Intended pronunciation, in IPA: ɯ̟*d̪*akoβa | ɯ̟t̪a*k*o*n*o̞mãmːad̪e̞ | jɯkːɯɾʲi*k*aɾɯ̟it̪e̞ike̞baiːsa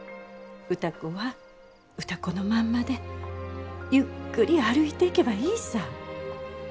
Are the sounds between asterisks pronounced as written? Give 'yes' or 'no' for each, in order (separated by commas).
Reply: no, yes, yes, no